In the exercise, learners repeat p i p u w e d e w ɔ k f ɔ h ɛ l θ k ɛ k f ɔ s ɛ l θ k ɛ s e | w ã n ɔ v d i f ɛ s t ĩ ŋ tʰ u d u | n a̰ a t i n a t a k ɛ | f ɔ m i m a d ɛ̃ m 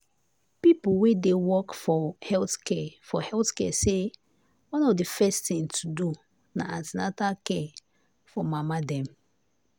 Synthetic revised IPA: p i p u w e d e w ɔ k f ɔ h ɛ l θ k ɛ f ɔ h ɛ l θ k ɛ s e | w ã n ɔ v d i f ɛ s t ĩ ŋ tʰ u d u | n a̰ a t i n a t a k ɛ | f ɔ m a m a d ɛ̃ m